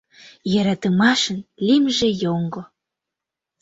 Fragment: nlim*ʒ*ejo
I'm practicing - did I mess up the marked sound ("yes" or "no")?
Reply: no